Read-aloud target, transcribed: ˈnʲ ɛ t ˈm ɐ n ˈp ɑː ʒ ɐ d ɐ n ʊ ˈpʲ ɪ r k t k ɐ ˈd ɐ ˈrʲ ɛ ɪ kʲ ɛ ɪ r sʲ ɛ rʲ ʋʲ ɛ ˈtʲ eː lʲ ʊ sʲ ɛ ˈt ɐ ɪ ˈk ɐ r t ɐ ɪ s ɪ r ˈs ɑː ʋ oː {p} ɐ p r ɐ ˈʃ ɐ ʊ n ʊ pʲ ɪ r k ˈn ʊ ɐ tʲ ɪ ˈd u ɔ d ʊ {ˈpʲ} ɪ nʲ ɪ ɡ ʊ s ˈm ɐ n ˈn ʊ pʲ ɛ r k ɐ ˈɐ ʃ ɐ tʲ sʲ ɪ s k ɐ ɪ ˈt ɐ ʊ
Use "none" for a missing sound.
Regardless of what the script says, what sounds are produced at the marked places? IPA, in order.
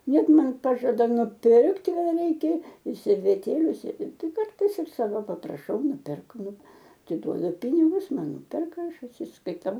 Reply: p, pʲ

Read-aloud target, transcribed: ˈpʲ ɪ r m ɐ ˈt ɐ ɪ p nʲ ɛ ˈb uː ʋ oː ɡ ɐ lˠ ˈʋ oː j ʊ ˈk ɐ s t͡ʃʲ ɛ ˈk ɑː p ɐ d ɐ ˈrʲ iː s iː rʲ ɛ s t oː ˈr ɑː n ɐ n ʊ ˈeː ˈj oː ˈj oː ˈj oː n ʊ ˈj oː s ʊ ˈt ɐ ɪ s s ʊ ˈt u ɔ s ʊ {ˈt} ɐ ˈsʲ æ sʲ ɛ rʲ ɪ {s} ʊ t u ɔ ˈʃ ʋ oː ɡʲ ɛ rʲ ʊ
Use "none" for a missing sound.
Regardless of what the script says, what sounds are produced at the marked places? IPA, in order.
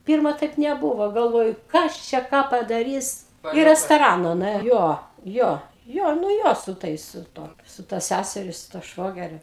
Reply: t, s

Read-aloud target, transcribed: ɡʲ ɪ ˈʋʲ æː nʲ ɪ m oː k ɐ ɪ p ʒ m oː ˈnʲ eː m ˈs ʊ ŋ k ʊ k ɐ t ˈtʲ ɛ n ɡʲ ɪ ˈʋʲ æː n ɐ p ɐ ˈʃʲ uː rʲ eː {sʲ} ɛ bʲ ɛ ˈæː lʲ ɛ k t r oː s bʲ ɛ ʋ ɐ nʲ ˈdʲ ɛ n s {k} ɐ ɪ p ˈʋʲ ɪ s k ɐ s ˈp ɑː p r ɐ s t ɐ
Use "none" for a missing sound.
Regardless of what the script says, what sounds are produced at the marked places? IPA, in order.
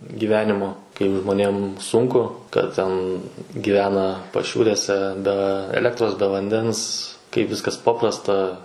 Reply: sʲ, k

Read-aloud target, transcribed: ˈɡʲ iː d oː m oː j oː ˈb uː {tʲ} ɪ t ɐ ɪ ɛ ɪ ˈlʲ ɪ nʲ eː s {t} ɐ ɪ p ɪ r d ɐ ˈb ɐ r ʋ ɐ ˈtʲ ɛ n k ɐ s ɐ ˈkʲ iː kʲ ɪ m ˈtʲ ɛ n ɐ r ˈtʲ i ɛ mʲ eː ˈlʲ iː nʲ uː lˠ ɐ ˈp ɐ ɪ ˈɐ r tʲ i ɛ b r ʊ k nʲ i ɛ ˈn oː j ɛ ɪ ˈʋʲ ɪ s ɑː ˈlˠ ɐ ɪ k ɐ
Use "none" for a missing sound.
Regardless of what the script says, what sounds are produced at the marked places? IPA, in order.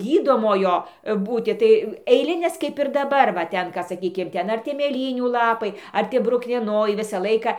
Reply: tʲ, k

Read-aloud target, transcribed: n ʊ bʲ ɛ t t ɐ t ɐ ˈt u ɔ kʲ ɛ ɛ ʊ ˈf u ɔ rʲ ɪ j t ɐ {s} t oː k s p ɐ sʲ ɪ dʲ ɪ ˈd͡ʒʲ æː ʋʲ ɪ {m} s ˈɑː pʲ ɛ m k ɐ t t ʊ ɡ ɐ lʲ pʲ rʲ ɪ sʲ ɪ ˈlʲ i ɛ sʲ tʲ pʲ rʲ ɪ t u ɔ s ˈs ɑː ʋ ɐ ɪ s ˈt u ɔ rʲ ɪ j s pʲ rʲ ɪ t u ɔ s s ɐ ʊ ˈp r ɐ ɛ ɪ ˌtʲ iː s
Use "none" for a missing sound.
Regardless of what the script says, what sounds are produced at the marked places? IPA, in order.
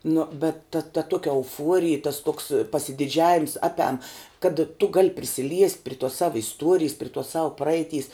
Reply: s, m

